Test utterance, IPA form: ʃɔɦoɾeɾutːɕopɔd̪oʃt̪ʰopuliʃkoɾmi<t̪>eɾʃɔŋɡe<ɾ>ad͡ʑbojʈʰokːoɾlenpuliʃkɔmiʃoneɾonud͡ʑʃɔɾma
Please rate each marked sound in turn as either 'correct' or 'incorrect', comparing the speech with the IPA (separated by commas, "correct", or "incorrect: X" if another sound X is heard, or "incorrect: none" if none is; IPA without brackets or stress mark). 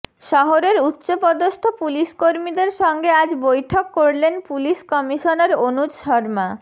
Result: incorrect: d̪, incorrect: none